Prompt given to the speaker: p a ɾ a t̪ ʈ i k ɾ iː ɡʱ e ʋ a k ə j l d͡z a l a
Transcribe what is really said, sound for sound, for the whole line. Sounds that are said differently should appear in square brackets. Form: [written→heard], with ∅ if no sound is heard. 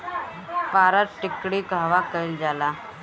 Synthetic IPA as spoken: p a ɾ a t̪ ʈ i k [ɾ→ɽ] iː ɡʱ [e→a] ʋ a k ə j l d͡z a l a